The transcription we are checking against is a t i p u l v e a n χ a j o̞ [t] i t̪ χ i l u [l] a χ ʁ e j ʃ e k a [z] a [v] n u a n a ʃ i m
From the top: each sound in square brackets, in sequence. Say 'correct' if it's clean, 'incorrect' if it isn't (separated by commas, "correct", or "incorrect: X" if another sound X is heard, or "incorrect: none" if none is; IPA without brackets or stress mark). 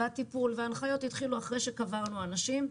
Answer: correct, incorrect: none, incorrect: v, incorrect: ʁ